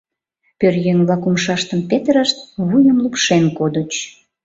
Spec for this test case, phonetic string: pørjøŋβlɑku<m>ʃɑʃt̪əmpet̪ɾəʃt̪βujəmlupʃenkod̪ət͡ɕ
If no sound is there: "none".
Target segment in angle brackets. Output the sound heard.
m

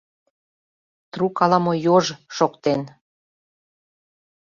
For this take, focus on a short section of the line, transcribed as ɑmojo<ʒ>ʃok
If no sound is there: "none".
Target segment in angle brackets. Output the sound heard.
ʒ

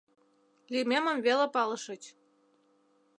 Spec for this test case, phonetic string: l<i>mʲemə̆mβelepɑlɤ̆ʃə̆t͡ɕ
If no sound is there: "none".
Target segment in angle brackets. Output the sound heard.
i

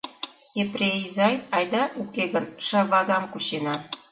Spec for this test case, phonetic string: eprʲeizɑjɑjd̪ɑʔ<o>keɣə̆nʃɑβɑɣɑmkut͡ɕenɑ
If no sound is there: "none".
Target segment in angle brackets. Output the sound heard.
u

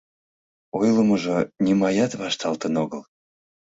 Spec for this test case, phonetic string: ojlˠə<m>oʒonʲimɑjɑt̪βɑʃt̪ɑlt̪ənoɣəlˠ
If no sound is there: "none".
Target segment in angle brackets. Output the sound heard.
m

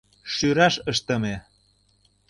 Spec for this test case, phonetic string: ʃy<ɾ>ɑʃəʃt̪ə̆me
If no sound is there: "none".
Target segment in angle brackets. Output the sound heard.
ɾ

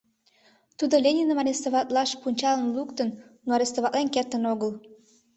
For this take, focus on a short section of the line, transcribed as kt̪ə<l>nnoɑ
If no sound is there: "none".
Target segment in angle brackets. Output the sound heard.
none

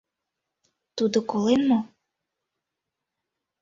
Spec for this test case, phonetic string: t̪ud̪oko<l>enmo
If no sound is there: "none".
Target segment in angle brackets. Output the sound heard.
l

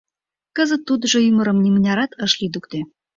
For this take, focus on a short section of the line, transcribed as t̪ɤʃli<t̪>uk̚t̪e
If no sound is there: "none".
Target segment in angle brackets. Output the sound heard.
d̪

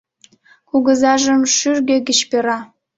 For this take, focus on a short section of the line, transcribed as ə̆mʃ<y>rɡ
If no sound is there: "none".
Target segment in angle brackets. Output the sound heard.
y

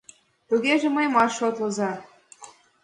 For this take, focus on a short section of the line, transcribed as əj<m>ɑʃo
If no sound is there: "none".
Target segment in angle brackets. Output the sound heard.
m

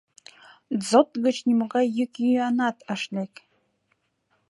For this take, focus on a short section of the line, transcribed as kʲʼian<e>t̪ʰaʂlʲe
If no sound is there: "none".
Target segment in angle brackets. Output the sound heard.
a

